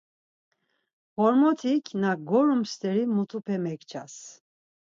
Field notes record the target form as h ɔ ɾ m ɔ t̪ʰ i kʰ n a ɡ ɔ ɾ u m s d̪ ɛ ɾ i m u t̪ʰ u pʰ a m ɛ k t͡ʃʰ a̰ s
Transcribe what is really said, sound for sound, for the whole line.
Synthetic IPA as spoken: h ɔ ɾ m ɔ t̪ʰ i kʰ n a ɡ ɔ ɾ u m s t̪ ɛ ɾ i m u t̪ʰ u pʰ ɛ m ɛ k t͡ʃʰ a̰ s